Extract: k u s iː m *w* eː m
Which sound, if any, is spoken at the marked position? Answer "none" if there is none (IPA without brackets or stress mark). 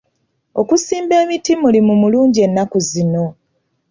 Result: b